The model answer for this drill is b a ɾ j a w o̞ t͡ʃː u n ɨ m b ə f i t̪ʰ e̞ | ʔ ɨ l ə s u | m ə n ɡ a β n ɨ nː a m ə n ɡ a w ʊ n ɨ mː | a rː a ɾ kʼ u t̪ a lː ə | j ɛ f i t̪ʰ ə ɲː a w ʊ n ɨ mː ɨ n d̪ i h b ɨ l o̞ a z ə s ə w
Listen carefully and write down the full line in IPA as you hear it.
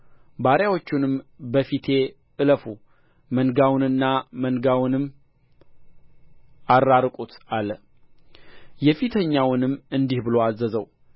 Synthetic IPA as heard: b a ɾ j a w o̞ t͡ʃː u n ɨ m b ə f i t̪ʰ e̞ | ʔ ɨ l ə f u | m ə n ɡ a w n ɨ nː a m ə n ɡ a w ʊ n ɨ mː | a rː a ɾ kʼ u t̪ a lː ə | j ɛ f i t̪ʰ ə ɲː a w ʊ n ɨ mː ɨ n d̪ i h b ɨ l o̞ a z ə z ə w